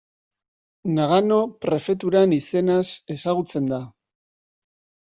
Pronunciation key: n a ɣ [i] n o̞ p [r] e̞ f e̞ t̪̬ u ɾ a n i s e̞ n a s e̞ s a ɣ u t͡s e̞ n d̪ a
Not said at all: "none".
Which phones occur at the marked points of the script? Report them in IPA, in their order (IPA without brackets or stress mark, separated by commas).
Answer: a, ɾ